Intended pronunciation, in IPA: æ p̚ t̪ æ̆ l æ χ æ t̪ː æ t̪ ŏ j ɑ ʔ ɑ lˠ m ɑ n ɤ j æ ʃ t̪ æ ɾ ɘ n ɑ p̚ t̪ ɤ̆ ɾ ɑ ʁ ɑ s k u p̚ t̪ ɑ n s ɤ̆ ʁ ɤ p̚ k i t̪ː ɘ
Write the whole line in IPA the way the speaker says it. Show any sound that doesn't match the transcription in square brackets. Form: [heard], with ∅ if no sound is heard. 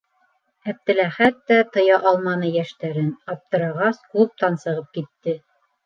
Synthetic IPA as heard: æ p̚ t̪ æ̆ l æ χ æ t̪ː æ t̪ [ɤ̆] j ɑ ʔ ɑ lˠ m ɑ n ɤ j æ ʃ t̪ æ ɾ ɘ n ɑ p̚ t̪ ɤ̆ ɾ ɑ ʁ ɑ s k u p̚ t̪ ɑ n s ɤ̆ ʁ ɤ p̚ k i t̪ː ɘ